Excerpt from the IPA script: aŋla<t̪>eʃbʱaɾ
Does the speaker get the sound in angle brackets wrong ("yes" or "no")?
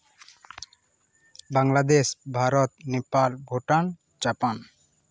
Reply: yes